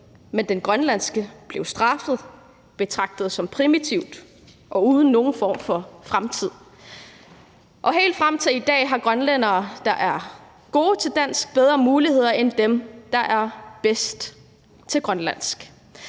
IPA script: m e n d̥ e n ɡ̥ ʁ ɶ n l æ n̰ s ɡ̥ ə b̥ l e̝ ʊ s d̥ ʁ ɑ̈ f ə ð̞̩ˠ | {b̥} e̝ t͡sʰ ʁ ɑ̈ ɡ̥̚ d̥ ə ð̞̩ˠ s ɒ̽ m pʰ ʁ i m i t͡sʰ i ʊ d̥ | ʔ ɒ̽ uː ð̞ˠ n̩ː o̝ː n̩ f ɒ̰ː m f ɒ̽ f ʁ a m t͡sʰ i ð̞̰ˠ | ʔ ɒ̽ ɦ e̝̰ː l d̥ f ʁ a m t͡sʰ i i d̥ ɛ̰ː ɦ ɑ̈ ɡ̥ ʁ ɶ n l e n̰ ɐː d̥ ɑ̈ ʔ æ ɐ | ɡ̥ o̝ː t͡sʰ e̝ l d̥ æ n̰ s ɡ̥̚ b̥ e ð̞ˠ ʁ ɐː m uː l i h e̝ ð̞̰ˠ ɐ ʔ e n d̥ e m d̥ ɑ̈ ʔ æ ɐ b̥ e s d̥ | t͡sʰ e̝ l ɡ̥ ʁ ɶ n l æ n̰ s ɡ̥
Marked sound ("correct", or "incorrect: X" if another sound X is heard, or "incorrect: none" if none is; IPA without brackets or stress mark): correct